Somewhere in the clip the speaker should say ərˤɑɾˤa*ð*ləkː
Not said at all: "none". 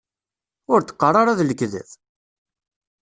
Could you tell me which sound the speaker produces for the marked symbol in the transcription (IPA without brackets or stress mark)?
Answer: ð